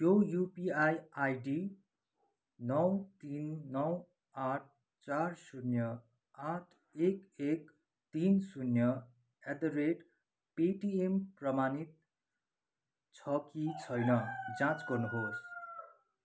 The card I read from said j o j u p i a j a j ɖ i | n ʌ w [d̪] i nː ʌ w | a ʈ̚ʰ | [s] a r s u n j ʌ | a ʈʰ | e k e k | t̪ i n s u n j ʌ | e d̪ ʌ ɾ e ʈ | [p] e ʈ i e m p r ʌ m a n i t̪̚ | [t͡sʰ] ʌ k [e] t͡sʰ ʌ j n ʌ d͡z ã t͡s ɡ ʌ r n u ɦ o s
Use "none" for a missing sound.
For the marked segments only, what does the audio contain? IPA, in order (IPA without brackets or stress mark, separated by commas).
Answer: t̪, t͡s, p, t͡sʰ, i